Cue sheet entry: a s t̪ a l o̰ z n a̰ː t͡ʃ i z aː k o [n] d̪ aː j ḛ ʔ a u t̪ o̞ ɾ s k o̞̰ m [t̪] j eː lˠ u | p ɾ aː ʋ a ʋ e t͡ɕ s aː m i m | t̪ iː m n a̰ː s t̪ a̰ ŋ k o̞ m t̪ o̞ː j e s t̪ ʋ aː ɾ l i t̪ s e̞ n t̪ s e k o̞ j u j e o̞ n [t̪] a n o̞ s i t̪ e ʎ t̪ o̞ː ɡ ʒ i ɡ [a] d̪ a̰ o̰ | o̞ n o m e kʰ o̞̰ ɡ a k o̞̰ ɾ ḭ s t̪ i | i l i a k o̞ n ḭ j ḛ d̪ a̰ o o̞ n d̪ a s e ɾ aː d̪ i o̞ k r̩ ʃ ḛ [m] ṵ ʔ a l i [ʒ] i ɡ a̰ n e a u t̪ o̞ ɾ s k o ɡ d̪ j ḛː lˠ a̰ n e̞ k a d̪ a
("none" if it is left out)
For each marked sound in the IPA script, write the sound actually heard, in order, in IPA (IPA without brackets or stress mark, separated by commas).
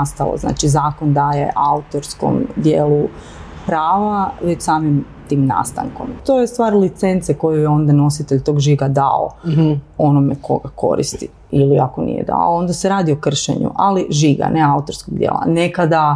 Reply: n, d̪, d̪, a, ɲ, ʒ